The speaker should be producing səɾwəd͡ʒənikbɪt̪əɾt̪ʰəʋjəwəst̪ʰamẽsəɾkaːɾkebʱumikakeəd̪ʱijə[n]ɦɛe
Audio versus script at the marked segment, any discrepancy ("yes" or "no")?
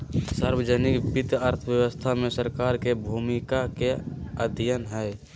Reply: no